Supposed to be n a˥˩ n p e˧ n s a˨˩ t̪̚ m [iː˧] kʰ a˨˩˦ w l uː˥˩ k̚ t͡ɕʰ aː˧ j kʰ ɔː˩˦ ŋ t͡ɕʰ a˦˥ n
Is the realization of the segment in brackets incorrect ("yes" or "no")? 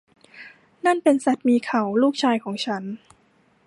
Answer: no